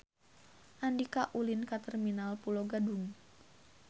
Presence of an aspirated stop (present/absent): absent